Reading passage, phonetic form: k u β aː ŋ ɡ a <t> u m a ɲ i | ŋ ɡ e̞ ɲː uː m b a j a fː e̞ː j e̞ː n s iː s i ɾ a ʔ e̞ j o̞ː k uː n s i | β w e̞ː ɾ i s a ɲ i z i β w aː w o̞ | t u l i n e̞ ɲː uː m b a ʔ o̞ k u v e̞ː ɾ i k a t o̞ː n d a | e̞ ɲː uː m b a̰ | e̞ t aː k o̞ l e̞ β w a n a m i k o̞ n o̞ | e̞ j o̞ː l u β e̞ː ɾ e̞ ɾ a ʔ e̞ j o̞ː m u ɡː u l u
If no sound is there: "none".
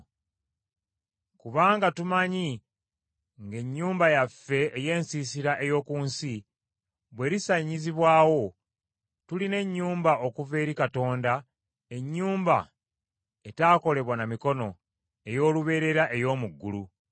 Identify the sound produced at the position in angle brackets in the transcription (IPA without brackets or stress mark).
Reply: t